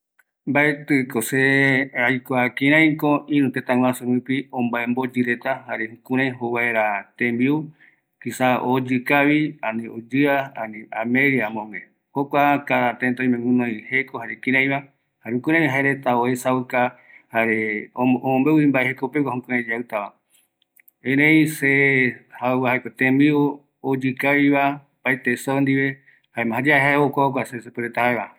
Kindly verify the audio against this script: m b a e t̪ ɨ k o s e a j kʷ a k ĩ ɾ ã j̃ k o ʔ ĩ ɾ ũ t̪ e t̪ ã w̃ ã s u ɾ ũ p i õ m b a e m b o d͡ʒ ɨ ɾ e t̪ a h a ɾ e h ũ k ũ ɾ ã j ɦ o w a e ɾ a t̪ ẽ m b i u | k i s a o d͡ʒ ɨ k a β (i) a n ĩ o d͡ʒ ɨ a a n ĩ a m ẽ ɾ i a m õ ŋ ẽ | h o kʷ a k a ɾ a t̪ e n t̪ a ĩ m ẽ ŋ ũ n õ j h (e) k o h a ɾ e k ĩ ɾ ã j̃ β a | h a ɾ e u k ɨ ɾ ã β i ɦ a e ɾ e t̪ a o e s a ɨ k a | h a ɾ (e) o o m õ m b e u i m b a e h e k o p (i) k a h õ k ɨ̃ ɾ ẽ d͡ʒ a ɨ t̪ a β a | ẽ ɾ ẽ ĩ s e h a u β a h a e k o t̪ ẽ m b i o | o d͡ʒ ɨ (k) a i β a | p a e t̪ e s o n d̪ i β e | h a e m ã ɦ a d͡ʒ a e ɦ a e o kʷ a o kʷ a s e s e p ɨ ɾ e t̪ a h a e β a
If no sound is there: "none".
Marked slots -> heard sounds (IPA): i, e, e, e, k

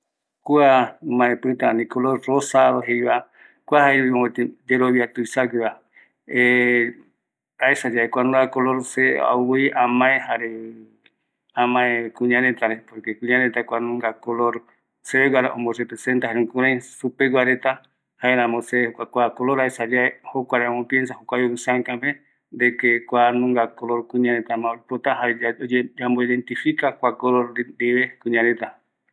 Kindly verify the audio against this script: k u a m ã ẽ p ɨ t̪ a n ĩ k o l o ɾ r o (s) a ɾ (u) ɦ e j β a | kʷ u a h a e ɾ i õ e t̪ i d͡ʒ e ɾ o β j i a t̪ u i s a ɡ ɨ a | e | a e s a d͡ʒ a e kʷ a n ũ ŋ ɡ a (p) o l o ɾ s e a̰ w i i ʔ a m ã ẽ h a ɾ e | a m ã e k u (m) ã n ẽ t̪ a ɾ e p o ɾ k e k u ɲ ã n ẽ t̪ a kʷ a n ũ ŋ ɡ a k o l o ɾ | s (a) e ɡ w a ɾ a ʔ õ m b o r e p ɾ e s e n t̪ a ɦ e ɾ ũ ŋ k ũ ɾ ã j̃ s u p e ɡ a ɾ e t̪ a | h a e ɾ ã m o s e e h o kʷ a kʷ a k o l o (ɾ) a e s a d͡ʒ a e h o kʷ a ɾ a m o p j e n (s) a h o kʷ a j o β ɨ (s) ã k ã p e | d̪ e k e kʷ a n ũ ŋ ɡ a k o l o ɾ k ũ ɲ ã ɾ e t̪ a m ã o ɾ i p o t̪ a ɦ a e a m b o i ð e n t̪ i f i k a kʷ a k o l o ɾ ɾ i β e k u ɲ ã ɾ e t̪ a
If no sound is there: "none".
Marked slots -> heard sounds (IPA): s, o, k, ɲ, e, ɾ, s, s

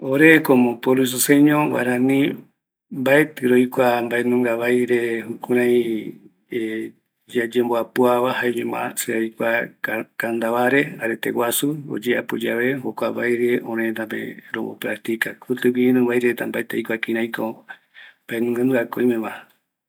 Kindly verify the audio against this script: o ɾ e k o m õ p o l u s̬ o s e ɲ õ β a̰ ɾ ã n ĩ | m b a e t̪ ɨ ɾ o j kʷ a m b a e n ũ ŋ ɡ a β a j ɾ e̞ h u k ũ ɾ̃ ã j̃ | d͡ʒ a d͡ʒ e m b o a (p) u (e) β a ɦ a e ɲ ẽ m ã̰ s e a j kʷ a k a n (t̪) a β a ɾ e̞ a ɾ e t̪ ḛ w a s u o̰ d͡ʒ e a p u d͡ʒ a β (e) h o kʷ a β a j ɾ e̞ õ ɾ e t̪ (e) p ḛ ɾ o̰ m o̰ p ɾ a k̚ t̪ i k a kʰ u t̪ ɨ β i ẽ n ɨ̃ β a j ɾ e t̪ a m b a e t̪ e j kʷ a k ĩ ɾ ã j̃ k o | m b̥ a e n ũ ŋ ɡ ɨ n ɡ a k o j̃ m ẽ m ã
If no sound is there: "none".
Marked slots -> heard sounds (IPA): p, a, d̪, e, a

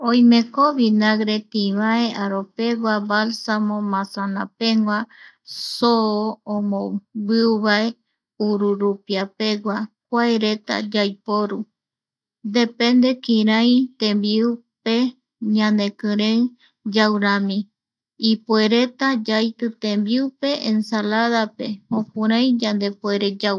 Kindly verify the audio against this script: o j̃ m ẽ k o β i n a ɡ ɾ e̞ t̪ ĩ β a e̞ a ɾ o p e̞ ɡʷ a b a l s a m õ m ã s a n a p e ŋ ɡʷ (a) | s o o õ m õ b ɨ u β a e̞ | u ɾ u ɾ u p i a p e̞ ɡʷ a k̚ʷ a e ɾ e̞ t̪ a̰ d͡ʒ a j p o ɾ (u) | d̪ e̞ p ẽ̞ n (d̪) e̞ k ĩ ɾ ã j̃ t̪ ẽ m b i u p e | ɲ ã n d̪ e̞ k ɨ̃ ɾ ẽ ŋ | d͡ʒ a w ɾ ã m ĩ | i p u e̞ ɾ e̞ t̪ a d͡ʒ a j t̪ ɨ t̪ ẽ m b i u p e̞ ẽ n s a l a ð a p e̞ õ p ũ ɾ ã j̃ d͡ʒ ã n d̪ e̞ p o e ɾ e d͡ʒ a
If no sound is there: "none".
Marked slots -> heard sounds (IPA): a, u, d̪

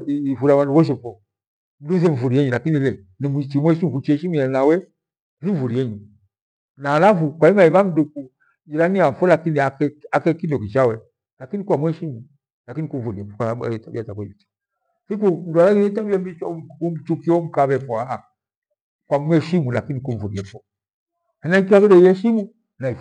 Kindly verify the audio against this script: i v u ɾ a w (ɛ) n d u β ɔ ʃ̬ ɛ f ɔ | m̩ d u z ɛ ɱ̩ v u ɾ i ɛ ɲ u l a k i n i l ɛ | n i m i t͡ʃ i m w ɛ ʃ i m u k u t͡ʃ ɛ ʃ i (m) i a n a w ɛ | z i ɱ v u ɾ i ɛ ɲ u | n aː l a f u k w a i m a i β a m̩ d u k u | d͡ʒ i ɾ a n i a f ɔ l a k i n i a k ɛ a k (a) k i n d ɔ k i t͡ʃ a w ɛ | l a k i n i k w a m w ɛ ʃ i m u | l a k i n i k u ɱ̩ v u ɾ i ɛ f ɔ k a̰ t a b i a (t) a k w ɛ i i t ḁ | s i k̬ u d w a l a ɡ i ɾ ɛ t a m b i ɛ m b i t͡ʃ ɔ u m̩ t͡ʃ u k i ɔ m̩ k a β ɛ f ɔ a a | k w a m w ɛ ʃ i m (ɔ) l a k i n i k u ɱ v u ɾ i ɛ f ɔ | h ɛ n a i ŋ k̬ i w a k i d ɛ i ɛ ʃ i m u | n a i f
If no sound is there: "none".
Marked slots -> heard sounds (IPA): a, m, ɛ, t, u

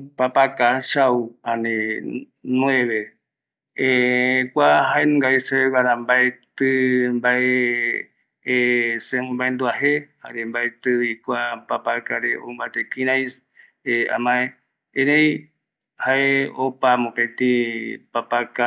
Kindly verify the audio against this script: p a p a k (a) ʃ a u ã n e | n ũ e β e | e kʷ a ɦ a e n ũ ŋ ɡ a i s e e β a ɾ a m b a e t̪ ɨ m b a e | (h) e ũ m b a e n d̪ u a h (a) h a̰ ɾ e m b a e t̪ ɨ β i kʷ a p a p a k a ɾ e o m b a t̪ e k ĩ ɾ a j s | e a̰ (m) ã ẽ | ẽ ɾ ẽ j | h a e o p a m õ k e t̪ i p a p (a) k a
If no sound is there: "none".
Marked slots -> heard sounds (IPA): a, s, e, m, a

